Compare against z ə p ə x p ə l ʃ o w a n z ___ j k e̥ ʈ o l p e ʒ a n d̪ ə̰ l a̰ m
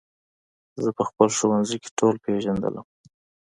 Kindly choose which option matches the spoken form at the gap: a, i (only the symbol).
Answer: i